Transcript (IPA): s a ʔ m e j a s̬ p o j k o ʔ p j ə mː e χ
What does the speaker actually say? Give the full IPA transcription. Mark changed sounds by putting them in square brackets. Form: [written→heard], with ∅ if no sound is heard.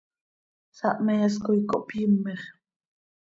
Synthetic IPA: s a ʔ m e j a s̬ [p→k] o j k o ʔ p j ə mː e χ